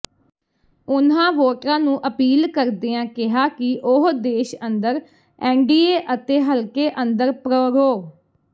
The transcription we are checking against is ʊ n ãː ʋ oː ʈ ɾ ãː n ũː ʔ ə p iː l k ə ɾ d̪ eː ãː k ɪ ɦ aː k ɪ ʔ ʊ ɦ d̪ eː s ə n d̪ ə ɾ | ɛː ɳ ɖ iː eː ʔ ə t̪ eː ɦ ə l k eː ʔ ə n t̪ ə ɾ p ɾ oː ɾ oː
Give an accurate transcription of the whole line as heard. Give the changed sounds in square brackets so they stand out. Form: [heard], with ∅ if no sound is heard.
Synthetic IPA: ʊ n ãː ʋ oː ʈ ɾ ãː n ũː ʔ ə p iː l k ə ɾ d̪ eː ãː k ɪ ɦ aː k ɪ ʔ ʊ ɦ d̪ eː [ʃ] ə n d̪ ə ɾ | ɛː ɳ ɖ iː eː ʔ ə t̪ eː ɦ ə l k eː ʔ ə n [d̪] ə ɾ p ɾ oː ɾ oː